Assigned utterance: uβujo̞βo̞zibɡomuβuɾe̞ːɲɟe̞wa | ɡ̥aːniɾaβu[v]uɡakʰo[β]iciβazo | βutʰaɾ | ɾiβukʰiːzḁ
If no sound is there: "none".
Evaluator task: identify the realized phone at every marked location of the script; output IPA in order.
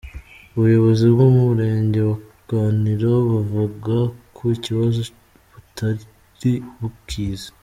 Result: v, none

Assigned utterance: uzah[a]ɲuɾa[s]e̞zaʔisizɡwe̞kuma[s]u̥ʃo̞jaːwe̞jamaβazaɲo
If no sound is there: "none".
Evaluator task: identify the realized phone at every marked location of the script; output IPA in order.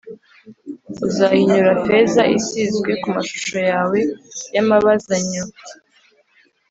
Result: i, f, ʃ

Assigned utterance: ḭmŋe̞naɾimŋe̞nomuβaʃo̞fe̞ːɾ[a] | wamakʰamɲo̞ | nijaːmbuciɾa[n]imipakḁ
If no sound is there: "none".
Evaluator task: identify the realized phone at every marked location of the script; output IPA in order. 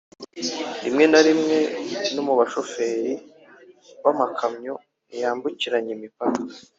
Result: i, ɲ

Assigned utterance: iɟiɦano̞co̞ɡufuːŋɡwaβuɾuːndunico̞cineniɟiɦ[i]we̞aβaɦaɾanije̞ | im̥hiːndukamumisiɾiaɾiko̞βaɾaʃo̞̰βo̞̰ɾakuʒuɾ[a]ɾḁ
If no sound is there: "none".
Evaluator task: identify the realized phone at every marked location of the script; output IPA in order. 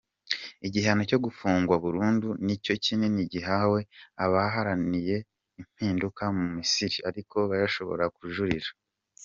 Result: a, i

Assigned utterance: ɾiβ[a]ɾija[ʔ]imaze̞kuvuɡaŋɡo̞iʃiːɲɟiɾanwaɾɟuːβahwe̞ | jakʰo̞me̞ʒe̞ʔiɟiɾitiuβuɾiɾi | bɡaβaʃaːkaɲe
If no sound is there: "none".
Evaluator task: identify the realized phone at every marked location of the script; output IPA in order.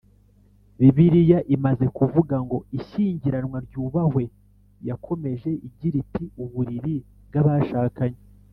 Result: i, ʔ

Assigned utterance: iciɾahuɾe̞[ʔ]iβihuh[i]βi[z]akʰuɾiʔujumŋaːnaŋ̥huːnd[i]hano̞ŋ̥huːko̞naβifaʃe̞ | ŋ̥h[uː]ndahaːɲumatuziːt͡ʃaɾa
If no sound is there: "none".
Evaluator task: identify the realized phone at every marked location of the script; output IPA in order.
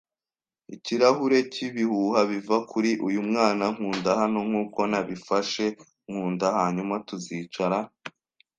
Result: c, a, v, a, uː

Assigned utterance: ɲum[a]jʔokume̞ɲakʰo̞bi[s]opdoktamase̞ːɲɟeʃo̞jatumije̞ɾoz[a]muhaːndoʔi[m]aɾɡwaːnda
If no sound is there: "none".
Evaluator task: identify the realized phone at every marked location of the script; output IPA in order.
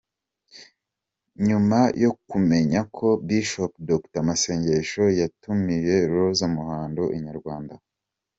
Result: a, ʃ, a, ɲ

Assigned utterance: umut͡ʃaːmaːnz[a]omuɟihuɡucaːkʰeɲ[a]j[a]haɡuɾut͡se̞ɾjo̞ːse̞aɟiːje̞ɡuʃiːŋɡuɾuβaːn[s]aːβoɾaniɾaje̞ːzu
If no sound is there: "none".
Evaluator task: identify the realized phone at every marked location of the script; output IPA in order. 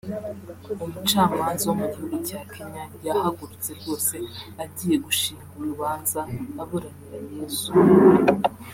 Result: a, a, a, z

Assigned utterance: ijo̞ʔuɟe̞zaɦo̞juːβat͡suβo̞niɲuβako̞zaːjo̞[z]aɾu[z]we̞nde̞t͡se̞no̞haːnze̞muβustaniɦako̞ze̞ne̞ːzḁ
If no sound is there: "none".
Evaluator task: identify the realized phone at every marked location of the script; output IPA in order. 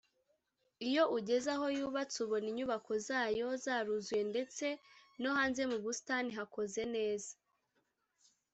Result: z, z

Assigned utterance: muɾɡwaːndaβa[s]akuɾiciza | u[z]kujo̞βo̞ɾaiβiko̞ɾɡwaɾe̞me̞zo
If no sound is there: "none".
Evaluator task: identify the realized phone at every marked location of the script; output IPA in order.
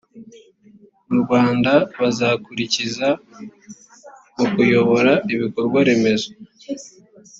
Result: z, none

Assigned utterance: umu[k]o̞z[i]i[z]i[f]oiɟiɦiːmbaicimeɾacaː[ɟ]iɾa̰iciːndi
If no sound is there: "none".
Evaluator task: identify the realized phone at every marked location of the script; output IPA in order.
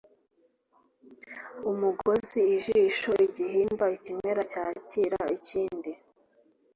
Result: ɡ, i, ʒ, ʃ, c

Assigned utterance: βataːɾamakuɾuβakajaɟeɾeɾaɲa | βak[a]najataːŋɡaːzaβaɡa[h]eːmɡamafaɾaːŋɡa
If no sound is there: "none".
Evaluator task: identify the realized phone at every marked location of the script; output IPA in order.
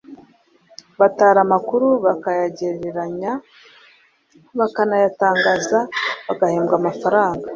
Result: a, h

